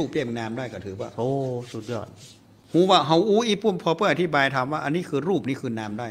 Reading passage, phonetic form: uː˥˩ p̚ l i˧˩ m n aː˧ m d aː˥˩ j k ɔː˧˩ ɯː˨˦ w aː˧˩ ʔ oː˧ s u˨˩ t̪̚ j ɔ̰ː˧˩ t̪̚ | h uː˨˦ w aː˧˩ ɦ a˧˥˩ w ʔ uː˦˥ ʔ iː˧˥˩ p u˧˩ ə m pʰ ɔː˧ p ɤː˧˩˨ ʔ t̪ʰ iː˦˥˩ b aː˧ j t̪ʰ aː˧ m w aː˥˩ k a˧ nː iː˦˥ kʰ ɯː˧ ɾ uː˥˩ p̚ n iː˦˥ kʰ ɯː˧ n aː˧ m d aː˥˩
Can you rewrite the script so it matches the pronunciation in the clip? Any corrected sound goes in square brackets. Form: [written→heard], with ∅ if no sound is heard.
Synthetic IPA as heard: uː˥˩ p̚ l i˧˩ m n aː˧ m d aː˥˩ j k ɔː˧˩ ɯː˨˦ w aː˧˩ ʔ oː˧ s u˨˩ t̪̚ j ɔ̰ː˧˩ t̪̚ | h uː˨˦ w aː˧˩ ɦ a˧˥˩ w ʔ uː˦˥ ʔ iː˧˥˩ p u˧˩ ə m pʰ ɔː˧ p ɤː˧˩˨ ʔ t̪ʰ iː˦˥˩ b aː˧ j t̪ʰ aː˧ m w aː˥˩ [k→ʔ] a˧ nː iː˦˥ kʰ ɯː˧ ɾ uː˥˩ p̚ n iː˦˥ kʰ ɯː˧ n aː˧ m d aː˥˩